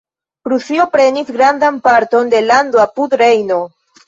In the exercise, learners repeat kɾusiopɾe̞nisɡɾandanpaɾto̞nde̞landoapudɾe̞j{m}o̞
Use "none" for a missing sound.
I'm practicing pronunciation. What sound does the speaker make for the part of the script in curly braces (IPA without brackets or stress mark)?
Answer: n